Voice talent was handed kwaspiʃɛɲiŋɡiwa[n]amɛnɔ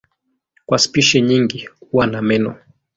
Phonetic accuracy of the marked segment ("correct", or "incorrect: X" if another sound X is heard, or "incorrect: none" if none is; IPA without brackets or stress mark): correct